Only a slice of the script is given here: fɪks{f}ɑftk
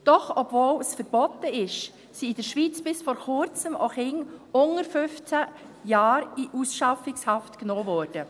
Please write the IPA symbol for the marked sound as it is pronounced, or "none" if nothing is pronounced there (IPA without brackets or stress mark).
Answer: h